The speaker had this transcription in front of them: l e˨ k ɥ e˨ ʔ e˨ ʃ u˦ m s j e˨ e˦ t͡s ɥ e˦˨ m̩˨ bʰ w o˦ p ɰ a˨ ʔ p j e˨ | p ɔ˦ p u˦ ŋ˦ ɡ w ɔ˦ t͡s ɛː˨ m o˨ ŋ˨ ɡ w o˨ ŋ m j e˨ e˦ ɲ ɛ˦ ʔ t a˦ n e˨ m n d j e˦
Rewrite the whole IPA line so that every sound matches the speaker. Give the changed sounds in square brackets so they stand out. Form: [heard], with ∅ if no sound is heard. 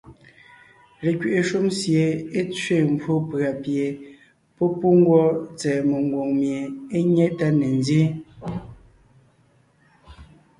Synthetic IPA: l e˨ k ɥ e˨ ʔ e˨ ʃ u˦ m s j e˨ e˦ t͡s ɥ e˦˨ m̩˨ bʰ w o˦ p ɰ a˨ [∅] p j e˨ | p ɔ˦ p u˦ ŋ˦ ɡ w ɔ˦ t͡s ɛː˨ m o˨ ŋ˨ ɡ w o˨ ŋ m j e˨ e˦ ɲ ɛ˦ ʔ t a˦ n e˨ [∅] n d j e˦